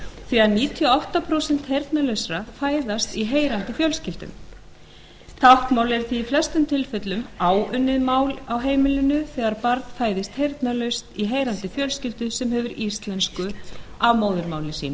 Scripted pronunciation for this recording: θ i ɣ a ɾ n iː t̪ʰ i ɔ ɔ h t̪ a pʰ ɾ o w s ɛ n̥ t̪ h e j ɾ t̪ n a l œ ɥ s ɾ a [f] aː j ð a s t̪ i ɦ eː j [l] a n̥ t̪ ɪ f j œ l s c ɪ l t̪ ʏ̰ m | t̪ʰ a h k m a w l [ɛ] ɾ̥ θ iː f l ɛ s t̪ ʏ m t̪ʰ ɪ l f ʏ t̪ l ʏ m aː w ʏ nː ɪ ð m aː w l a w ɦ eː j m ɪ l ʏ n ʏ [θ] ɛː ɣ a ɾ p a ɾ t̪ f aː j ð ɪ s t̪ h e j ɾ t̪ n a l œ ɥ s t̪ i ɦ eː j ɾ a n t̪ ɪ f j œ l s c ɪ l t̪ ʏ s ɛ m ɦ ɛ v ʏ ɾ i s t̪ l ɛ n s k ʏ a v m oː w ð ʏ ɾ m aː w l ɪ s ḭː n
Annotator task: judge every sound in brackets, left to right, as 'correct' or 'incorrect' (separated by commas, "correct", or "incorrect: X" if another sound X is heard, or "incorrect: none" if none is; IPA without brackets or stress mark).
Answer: correct, incorrect: ɾ, correct, correct